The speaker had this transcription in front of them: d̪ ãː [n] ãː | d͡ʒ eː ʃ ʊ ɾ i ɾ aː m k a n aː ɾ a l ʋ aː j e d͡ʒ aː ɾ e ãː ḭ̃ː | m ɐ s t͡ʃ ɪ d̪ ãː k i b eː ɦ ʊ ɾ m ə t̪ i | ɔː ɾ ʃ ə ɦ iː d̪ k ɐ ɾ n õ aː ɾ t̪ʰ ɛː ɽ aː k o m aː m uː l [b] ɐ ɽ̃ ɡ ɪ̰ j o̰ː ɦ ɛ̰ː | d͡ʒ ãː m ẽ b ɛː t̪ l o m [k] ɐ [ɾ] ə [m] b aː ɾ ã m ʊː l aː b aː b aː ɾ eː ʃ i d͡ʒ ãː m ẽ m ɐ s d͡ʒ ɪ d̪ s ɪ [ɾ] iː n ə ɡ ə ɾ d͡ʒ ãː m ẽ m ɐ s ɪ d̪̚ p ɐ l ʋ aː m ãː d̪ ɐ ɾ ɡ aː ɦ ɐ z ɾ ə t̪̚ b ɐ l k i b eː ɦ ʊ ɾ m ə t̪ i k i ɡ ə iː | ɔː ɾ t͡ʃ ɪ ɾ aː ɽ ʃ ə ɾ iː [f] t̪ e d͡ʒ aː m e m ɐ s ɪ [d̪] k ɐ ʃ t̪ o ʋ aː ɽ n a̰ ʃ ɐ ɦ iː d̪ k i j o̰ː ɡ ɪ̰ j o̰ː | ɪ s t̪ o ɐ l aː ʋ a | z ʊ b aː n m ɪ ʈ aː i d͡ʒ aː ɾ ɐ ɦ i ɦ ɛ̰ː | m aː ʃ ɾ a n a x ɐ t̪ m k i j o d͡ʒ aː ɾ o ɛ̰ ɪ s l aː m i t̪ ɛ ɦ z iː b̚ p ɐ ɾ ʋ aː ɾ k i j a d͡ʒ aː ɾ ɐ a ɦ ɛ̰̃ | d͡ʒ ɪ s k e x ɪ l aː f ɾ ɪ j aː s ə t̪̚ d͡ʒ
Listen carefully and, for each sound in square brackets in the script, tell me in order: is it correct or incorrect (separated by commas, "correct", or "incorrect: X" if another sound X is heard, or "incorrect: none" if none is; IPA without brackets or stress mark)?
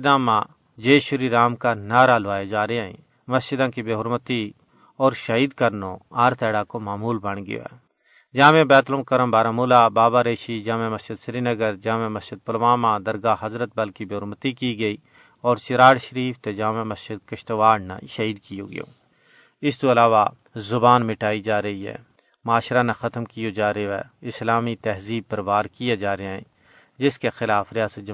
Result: incorrect: m, correct, correct, correct, correct, correct, correct, correct